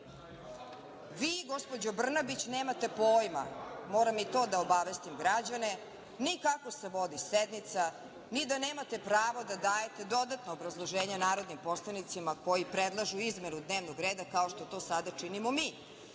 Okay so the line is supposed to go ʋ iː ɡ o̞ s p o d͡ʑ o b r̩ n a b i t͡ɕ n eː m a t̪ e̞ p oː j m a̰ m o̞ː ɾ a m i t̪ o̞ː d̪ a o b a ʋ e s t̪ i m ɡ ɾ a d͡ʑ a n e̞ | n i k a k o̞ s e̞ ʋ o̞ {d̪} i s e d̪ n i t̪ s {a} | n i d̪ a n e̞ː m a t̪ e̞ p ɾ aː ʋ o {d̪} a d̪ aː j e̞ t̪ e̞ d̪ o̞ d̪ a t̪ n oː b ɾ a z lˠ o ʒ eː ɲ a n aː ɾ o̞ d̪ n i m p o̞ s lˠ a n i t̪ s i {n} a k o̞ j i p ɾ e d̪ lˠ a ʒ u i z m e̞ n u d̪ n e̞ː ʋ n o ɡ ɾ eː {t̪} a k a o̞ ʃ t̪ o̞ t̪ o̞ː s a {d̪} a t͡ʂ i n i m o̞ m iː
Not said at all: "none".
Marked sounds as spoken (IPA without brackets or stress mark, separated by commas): d̪, a, d̪, m, d̪, d̪